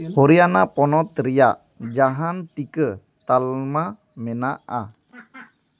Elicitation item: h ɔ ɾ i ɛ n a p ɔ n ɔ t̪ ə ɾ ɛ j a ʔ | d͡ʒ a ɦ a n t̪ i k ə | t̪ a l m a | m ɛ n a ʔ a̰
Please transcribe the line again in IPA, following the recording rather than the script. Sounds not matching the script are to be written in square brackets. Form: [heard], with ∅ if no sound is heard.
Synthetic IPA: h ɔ ɾ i [a] n a p ɔ n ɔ t̪ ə ɾ [i] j a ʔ | d͡ʒ a ɦ a n t̪ i k ə | t̪ a l m a | m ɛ n a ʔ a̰